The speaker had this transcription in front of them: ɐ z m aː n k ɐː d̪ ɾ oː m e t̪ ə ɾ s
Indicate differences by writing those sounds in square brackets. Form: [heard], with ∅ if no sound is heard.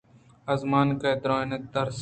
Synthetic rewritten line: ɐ z m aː n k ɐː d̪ ɾ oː [n] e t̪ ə ɾ s